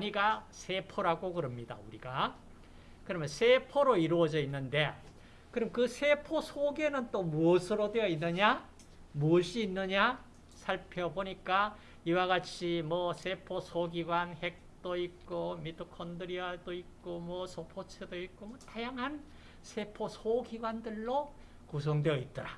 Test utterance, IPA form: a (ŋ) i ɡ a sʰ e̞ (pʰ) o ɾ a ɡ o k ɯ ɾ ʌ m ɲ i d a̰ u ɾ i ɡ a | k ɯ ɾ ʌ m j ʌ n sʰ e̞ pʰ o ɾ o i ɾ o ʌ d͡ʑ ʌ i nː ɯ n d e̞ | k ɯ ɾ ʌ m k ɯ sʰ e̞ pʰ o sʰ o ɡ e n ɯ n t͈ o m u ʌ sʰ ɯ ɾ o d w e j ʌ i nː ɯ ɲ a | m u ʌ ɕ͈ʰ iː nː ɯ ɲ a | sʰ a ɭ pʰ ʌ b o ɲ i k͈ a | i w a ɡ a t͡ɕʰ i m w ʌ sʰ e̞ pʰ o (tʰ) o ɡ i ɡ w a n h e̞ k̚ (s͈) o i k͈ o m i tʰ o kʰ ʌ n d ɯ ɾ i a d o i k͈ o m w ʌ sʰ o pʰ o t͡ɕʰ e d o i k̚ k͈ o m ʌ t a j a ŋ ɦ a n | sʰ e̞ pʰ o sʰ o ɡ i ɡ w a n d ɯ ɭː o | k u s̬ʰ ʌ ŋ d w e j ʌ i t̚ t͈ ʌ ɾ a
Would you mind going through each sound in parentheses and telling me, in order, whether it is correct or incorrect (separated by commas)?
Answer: incorrect, correct, incorrect, incorrect